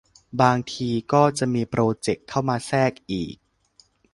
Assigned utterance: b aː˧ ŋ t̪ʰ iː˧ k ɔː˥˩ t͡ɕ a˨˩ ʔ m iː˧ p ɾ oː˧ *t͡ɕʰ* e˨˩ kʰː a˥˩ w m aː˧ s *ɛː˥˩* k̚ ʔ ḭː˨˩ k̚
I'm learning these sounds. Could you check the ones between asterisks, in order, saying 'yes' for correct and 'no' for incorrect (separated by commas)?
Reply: no, yes